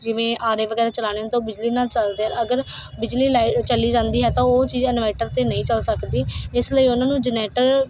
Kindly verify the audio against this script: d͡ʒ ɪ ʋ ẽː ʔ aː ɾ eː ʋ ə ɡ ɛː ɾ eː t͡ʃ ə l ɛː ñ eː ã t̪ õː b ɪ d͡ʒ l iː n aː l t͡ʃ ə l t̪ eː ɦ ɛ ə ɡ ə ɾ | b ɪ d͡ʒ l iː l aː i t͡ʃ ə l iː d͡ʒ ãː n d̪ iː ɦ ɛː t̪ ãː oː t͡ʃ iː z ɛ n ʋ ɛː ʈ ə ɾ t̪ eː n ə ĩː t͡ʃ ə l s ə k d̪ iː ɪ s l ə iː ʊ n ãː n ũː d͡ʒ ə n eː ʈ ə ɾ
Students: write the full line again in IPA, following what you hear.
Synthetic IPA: d͡ʒ ɪ ʋ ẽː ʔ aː ɾ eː ʋ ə ɡ ɛː ɾ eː t͡ʃ ə l aː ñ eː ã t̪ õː b ɪ d͡ʒ l iː n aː l t͡ʃ ə l d̪ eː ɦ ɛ ə ɡ ə ɾ | b ɪ d͡ʒ l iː l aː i t͡ʃ ə l iː d͡ʒ ãː n d̪ iː ɦ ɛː t̪ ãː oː t͡ʃ iː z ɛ n ʋ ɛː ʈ ə ɾ t̪ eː n ə ĩː t͡ʃ ə l s ə k d̪ iː ɪ s l ə iː ʊ n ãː n ũː d͡ʒ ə n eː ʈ ə ɾ